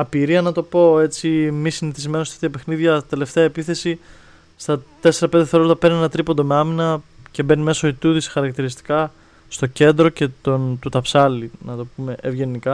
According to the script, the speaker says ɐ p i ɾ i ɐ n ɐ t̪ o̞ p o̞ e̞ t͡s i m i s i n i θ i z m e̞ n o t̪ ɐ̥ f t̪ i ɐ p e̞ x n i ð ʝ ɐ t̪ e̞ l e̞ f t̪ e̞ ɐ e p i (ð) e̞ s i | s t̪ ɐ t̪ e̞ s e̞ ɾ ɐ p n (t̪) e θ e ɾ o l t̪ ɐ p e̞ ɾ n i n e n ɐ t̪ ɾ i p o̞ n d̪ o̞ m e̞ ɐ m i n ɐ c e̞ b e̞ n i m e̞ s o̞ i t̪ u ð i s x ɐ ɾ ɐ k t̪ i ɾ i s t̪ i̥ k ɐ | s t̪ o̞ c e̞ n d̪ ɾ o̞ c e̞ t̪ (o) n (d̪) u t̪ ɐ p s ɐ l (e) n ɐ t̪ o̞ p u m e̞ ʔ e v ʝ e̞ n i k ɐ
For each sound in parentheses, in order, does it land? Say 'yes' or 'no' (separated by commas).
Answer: no, no, yes, no, no